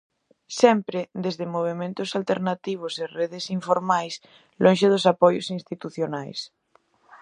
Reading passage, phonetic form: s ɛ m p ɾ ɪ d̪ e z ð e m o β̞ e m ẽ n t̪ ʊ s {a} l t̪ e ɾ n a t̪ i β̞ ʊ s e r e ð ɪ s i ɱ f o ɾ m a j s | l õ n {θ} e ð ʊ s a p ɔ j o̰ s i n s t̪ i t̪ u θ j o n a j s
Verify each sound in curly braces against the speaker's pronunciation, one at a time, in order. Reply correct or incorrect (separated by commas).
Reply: correct, incorrect